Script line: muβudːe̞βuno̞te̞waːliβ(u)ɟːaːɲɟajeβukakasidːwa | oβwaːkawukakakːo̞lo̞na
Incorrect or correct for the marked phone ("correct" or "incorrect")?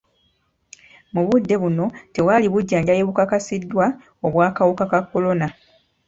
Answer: correct